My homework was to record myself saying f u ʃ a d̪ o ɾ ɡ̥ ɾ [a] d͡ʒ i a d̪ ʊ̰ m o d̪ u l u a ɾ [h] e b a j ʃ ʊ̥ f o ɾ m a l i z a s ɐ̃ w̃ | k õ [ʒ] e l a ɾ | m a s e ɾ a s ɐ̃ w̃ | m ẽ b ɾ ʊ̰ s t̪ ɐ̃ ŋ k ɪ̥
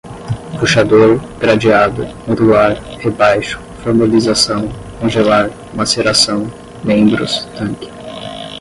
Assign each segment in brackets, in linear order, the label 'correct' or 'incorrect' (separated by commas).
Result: correct, correct, correct